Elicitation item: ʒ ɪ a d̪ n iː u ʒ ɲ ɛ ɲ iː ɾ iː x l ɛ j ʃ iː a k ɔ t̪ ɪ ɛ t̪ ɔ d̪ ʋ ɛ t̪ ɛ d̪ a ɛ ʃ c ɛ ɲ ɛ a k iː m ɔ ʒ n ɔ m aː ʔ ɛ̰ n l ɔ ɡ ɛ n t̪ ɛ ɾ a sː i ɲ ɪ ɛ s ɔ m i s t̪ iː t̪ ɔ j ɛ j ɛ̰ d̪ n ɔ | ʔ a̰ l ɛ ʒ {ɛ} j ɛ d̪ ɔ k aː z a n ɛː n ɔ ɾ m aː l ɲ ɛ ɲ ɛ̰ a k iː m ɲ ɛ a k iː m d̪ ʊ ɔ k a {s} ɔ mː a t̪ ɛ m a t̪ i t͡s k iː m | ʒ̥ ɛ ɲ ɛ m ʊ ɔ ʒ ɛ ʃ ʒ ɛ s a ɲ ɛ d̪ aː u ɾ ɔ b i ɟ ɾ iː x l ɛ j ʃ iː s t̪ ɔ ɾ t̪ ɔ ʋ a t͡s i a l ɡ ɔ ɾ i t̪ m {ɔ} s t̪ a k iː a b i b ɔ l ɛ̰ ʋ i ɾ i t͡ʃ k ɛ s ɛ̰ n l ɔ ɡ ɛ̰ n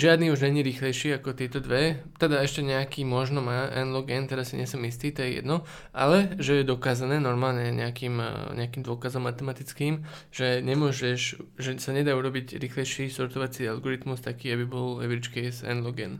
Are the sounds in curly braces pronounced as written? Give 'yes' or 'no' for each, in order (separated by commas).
yes, no, no